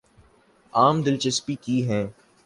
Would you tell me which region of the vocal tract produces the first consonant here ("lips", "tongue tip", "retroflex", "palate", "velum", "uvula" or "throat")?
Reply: lips